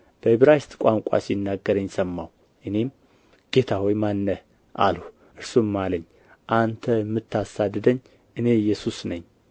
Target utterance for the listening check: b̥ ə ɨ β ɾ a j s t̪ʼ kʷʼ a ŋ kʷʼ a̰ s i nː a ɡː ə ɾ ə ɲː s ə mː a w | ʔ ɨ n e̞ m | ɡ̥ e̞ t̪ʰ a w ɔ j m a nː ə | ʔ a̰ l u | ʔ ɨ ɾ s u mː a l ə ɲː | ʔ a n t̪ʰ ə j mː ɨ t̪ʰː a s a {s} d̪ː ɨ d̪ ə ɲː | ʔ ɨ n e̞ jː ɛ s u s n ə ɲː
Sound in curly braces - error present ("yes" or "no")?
yes